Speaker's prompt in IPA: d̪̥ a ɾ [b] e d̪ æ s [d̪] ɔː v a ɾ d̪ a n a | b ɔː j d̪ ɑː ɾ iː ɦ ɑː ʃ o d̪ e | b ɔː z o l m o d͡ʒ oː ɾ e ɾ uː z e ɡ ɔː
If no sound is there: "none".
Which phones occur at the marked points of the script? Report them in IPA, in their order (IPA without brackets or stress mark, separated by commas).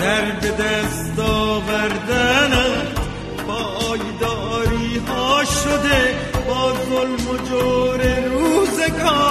b, t̪